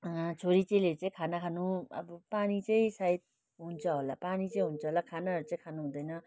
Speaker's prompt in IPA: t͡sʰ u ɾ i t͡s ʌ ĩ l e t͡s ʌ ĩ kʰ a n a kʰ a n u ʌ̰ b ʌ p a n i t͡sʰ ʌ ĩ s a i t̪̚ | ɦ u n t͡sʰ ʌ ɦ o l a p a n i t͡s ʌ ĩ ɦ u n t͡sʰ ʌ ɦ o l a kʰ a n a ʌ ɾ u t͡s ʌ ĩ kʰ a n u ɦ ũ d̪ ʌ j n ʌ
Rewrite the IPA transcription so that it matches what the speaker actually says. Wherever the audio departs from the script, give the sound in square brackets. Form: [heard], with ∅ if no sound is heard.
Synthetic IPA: t͡sʰ [o] ɾ i t͡s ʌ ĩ l e t͡s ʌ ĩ kʰ a n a kʰ a n u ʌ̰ b ʌ p a n i [t͡s] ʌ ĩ s a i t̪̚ | ɦ u n t͡sʰ ʌ ɦ o l a p a n i t͡s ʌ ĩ ɦ u n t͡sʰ ʌ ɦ o l a kʰ a n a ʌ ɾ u t͡s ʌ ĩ kʰ a n u ɦ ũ d̪ ʌ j n ʌ